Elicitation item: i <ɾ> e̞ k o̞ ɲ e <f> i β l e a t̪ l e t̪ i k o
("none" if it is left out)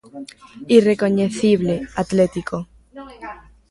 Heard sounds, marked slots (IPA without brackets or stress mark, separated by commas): r, θ